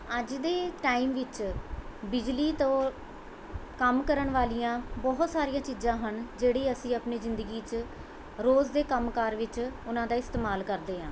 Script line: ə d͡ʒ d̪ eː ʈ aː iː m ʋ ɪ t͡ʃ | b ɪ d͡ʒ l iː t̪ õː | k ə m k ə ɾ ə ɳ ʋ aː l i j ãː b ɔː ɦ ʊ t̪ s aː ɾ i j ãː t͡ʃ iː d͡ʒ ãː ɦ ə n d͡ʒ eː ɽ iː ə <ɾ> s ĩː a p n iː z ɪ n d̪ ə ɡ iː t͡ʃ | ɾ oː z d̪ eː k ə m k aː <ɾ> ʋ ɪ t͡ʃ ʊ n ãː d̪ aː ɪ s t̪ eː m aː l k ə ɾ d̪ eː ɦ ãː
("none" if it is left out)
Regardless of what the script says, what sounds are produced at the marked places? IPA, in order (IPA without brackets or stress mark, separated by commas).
none, ɾ